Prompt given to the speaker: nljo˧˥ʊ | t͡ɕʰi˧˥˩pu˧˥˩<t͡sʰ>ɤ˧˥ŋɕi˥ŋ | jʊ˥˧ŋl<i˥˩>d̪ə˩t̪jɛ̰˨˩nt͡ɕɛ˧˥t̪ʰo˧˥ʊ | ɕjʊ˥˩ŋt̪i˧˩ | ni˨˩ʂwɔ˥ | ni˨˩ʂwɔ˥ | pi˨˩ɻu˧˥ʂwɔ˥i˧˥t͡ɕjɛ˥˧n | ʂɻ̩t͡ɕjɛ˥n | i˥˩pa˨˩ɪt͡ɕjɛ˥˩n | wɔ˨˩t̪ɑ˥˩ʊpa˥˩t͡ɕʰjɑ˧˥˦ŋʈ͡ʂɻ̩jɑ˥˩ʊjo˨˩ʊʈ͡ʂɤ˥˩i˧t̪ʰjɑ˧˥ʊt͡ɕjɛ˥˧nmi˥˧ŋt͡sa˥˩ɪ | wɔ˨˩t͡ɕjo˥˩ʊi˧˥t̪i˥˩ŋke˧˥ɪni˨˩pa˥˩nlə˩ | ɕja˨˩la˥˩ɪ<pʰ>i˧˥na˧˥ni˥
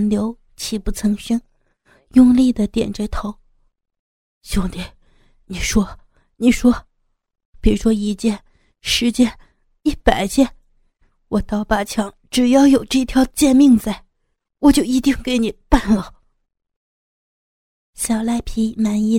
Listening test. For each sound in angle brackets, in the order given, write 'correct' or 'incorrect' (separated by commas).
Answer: correct, correct, correct